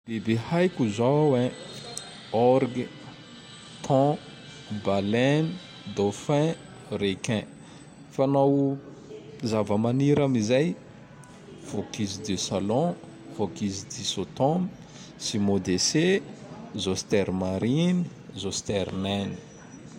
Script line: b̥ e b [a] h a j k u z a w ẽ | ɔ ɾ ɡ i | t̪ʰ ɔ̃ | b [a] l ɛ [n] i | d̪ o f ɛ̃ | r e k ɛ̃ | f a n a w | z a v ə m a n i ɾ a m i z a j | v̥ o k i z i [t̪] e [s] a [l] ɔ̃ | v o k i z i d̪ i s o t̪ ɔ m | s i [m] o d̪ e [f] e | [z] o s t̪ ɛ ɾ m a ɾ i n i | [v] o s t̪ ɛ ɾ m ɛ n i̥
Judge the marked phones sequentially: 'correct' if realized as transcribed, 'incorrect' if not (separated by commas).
incorrect, correct, correct, incorrect, correct, correct, correct, incorrect, correct, incorrect